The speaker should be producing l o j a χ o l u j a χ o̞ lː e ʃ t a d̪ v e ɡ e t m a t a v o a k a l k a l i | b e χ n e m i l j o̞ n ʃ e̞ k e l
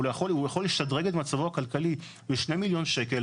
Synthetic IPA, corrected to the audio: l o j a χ o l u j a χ o̞ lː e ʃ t a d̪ ʁ e ɡ e t m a t͡s a v o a k a l k a l i | b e ʃ n e m i l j o̞ n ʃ e̞ k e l